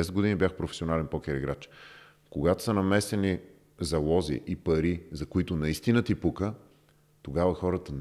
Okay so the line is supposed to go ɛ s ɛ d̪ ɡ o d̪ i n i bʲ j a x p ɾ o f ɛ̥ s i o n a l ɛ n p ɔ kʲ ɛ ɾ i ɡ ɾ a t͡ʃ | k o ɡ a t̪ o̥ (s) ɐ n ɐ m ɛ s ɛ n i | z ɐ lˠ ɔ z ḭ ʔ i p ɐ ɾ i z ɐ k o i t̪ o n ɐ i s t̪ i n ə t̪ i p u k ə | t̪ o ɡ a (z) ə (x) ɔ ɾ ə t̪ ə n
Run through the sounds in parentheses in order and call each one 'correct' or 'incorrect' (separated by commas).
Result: correct, incorrect, correct